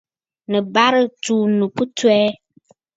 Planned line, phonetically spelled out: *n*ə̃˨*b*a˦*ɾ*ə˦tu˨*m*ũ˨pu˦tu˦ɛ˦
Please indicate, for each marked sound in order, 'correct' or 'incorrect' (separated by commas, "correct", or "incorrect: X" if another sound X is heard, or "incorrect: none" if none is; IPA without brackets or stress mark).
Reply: correct, correct, correct, incorrect: n